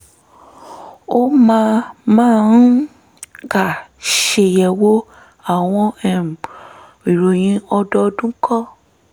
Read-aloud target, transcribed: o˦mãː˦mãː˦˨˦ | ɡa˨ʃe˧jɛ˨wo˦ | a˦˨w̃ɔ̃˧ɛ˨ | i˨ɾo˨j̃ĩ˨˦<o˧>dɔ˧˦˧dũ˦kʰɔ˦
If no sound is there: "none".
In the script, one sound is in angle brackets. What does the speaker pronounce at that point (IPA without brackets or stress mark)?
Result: ɔ˧